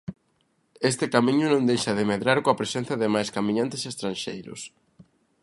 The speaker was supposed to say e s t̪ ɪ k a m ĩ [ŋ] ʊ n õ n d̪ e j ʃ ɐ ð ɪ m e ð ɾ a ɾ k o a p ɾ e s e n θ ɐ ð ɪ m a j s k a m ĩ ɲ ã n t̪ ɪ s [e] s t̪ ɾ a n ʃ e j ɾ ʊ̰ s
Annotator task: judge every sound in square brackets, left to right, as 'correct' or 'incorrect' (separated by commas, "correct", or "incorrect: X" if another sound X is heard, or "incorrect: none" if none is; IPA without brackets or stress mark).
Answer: incorrect: ɲ, correct